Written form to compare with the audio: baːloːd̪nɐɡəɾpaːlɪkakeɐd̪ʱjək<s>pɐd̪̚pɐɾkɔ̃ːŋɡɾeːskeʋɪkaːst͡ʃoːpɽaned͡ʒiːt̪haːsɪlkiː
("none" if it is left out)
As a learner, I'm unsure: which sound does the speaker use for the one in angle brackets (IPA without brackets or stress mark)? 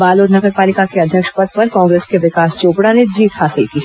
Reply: ʃ